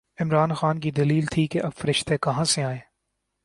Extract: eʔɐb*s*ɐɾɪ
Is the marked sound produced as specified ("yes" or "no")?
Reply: no